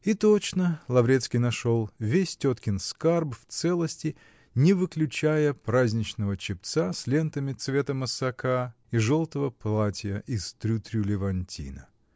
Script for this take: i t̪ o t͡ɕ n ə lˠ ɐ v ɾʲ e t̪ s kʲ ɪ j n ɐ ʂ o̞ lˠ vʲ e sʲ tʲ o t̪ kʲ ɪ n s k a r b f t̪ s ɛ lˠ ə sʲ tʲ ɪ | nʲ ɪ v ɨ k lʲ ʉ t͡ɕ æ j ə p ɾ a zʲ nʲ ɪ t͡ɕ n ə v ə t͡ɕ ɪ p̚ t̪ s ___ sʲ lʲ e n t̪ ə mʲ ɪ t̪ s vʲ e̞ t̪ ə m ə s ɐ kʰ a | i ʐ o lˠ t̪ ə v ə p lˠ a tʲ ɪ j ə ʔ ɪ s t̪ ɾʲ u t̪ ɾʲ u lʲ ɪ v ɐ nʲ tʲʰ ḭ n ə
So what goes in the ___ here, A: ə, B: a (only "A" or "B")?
B